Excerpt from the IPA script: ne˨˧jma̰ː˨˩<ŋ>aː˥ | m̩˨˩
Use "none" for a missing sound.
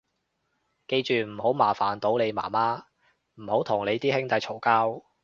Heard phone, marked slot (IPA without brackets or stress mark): m